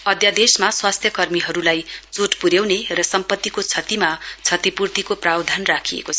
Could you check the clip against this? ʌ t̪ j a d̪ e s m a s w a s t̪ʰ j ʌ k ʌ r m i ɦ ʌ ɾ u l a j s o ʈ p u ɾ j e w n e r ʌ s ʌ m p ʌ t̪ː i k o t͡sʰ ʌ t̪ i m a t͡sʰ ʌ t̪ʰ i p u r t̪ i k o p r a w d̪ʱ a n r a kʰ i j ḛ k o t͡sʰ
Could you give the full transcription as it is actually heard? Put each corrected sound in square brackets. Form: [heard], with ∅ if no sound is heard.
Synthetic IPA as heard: ʌ [d̪] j a d̪ e s m a s w a s t̪ʰ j ʌ k ʌ r m i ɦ ʌ ɾ u l a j [t͡s] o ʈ p u ɾ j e w n e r ʌ s ʌ m p ʌ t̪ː i k o t͡sʰ ʌ t̪ i m a t͡sʰ ʌ [t̪] i p u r t̪ i k o p r a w d̪ʱ a n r a kʰ i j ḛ k o t͡sʰ

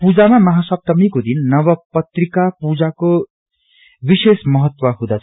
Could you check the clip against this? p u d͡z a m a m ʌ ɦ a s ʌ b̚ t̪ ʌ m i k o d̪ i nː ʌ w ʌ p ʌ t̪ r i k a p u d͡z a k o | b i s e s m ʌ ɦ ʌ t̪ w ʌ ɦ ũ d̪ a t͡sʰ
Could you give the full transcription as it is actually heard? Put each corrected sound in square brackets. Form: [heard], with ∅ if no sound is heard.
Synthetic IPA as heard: p u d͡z a m a m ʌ ɦ a s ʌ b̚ t̪ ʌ m i k o d̪ i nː ʌ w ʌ p ʌ t̪ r i k a p u d͡z a k o | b i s e s m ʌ ɦ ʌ t̪ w ʌ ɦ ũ d̪ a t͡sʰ

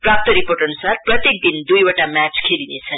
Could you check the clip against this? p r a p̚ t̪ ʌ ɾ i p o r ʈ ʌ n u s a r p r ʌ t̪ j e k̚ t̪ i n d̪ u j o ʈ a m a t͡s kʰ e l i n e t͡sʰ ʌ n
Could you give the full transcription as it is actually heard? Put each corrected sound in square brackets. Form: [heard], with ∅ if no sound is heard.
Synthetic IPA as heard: p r a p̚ t̪ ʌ ɾ i p o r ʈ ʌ n u s a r p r ʌ t̪ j e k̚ [d̪] i n d̪ u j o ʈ a m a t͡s kʰ e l i n e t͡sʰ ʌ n

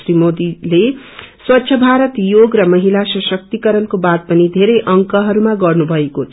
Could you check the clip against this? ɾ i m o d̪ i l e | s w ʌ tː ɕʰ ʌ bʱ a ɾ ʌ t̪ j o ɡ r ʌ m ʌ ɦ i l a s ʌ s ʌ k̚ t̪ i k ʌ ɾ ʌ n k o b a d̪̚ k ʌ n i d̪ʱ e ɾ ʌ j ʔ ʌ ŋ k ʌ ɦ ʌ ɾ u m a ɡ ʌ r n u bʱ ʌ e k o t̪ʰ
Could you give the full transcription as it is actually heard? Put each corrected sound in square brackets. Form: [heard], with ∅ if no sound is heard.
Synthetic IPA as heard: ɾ i m o d̪ i l e | s w ʌ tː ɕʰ ʌ bʱ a ɾ ʌ t̪ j o ɡ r ʌ m ʌ ɦ i l a s ʌ s ʌ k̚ t̪ i k ʌ ɾ ʌ n k o b a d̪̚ [p] ʌ n i d̪ʱ e ɾ ʌ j ʔ ʌ ŋ k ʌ ɦ ʌ ɾ u m a ɡ ʌ r n u bʱ ʌ e k o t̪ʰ

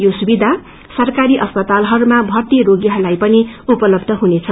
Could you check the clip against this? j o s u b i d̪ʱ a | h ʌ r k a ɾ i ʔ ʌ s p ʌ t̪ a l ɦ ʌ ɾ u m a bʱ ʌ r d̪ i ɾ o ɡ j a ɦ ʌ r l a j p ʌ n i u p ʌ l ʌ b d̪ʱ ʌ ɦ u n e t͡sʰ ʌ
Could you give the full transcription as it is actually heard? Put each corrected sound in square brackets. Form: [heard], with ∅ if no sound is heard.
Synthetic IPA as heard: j o s u b i d̪ʱ a | [s] ʌ r k a ɾ i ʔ ʌ s p ʌ t̪ a l ɦ ʌ ɾ u m a bʱ ʌ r [t̪] i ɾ o ɡ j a ɦ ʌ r l a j p ʌ n i u p ʌ l ʌ b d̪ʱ ʌ ɦ u n e t͡sʰ ʌ

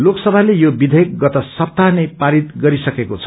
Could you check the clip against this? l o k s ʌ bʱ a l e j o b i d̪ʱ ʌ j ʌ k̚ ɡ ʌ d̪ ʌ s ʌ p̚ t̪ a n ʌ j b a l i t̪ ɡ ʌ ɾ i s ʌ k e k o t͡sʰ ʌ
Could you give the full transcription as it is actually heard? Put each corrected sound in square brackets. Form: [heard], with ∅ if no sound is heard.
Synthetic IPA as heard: l o k s ʌ bʱ a l e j o b i d̪ʱ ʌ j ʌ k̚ ɡ ʌ [t̪] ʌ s ʌ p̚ t̪ a n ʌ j [p] a [ɾ] i t̪ ɡ ʌ ɾ i s ʌ k e k o t͡sʰ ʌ

